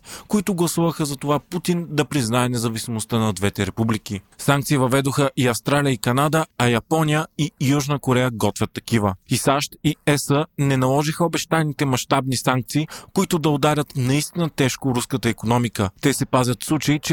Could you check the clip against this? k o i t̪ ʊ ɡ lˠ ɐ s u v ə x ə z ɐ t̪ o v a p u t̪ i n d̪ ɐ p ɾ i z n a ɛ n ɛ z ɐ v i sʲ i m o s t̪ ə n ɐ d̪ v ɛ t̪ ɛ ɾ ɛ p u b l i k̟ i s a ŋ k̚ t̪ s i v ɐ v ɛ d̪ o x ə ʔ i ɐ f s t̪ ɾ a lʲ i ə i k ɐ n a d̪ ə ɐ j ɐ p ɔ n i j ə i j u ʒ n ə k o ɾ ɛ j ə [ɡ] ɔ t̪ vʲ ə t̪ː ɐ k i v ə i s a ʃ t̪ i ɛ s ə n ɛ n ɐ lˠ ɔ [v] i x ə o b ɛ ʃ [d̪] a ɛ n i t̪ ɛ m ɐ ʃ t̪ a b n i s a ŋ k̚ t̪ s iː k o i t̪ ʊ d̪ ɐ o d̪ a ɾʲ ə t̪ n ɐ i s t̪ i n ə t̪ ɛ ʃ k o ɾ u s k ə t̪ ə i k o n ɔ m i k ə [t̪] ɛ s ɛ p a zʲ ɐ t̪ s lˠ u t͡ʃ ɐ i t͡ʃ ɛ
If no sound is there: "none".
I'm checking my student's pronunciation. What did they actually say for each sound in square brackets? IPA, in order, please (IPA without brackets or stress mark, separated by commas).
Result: ɡ, ʒ, t̪, t̪